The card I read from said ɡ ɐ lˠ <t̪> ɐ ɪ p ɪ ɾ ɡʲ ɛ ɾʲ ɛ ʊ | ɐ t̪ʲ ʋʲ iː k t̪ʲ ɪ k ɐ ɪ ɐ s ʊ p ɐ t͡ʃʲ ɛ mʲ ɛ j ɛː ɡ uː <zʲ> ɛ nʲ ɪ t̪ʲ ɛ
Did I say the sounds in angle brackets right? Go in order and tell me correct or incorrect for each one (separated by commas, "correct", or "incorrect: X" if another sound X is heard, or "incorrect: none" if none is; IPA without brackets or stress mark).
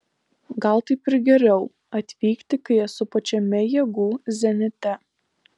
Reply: correct, correct